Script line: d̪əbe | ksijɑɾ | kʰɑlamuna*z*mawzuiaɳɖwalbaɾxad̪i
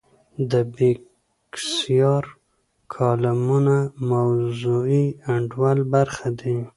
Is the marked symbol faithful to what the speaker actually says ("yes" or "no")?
no